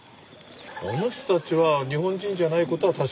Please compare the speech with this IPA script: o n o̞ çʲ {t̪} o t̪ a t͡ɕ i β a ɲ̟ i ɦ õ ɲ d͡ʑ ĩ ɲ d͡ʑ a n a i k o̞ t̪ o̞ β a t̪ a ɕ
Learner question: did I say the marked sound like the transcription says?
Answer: yes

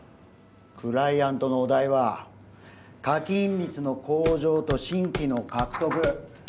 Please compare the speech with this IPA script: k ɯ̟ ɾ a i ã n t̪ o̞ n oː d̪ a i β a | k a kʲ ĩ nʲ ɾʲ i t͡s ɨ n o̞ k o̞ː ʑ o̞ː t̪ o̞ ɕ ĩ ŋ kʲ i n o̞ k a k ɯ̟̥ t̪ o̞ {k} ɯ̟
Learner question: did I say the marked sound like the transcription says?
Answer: yes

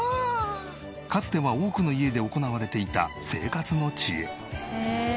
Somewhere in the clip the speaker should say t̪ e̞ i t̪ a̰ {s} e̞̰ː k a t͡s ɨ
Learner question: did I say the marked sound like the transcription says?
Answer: yes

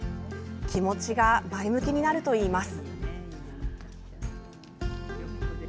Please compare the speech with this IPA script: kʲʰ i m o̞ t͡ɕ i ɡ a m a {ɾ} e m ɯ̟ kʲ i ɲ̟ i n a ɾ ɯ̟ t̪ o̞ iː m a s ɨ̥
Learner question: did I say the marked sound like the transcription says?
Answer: no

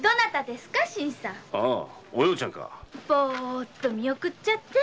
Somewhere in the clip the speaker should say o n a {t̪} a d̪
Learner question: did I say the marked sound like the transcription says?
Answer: yes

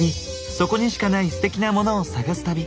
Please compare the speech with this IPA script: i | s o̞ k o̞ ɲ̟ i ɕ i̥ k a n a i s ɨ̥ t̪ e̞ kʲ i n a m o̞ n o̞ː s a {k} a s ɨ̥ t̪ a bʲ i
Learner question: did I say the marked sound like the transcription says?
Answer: no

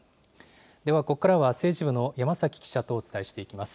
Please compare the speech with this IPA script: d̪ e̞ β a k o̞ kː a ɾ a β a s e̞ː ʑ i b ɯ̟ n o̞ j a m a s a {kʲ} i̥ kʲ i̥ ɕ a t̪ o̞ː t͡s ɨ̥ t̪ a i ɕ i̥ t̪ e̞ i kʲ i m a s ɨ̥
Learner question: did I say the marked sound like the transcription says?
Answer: yes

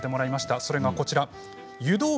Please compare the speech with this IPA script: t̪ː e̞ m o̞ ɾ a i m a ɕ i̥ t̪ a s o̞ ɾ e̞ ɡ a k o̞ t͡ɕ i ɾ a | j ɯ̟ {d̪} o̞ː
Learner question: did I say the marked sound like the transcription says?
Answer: yes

